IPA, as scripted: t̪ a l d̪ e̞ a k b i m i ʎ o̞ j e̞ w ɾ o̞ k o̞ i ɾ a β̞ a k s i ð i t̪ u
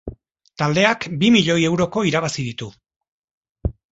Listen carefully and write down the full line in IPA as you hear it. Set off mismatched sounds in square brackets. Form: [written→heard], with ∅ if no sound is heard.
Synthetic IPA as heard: t̪ a l d̪ e̞ a k b i m i ʎ o̞ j e̞ w ɾ o̞ k o̞ i ɾ a β̞ a [k→∅] s i ð i t̪ u